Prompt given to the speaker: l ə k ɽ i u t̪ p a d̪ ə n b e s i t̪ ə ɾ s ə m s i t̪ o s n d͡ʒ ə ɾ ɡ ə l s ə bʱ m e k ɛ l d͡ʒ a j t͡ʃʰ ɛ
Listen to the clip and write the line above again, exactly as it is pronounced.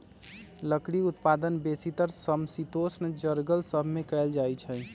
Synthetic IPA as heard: l ə k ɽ i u t̪ p a d̪ ə n b e s i t̪ ə ɾ s ə m s i t̪ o s n d͡ʒ ə ɾ ɡ ə l s ə bʱ m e k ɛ l d͡ʒ a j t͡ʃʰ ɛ